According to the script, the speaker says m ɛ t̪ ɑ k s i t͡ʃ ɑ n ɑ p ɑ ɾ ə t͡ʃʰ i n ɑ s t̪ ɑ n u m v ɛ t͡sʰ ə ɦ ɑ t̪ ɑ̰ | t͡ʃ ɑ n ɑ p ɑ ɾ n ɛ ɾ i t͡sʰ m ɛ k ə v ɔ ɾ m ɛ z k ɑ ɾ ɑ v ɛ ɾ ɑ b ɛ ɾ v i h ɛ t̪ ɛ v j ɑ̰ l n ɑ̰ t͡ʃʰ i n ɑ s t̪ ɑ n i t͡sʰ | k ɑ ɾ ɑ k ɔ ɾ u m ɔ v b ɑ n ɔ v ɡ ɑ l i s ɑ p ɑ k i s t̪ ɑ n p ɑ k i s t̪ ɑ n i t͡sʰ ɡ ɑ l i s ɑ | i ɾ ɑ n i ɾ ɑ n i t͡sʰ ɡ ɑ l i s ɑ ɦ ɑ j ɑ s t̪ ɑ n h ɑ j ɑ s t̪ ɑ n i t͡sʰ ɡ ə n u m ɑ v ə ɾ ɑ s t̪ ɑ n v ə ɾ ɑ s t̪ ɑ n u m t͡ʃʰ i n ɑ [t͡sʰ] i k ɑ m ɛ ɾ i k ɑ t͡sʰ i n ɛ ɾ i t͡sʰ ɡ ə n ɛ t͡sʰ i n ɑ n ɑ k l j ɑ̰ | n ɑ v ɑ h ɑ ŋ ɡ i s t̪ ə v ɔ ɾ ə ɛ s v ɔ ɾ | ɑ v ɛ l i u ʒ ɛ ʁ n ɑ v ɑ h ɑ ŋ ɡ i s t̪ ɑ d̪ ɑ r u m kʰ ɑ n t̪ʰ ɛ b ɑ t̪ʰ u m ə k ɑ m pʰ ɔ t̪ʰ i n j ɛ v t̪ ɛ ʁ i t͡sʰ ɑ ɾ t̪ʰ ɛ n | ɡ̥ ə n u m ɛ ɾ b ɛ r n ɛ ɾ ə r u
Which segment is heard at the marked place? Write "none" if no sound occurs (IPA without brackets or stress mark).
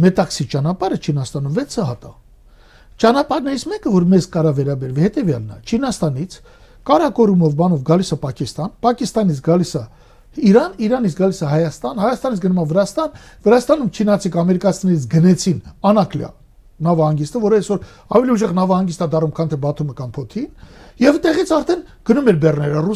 t͡sʰ